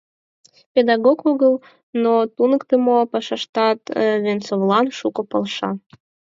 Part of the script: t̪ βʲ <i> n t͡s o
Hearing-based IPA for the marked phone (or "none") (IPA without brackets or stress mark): e